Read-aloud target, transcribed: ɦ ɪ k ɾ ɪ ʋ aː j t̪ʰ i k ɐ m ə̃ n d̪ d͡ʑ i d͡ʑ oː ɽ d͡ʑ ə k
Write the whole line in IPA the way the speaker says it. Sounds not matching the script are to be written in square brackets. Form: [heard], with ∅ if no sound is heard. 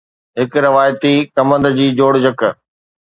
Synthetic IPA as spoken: ɦ ɪ k ɾ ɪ ʋ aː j [t̪] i k ɐ m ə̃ n d̪ d͡ʑ [iː] d͡ʑ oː ɽ d͡ʑ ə k